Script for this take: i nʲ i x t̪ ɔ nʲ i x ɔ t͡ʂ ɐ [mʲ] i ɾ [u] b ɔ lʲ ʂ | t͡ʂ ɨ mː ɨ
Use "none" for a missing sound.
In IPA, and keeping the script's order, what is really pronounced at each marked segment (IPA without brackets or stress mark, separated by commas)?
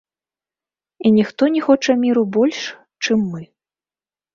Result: mʲ, u